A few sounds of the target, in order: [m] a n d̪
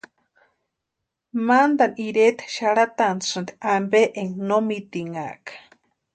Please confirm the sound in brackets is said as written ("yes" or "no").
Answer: yes